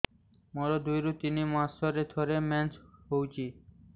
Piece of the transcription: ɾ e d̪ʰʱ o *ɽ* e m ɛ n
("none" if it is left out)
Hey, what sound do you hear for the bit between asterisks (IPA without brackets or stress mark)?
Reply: ɾ